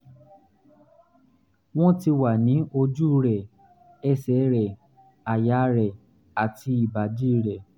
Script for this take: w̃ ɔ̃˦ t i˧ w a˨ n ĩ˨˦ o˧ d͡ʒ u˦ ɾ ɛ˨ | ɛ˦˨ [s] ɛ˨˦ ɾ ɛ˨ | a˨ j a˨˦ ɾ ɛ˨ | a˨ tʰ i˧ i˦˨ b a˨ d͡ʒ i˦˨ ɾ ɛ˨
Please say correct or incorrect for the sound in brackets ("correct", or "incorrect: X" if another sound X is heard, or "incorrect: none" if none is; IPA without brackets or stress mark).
correct